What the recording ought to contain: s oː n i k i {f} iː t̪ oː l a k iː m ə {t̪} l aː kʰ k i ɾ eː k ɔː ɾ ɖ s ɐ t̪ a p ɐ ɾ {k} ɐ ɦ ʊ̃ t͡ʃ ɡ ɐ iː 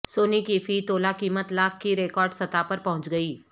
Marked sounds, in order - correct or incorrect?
correct, correct, incorrect

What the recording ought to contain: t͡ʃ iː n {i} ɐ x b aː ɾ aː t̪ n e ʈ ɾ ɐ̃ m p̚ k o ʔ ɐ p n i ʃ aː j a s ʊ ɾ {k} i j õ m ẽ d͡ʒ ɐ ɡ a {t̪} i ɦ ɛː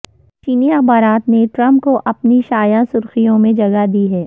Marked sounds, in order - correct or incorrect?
correct, incorrect, incorrect

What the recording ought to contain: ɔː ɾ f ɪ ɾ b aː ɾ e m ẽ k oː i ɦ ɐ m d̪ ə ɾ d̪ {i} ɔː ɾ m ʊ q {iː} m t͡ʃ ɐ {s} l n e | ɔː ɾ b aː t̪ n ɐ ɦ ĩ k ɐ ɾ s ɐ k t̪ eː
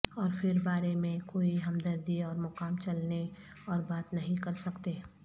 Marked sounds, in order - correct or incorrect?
correct, incorrect, incorrect

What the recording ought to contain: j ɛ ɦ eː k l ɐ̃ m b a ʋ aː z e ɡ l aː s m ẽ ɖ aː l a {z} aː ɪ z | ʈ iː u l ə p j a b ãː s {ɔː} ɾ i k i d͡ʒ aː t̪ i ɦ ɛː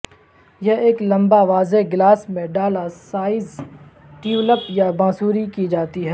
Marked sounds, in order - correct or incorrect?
incorrect, incorrect

